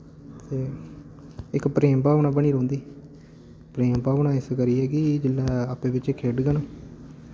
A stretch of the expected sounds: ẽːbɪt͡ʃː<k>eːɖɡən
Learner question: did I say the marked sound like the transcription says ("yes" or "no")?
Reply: no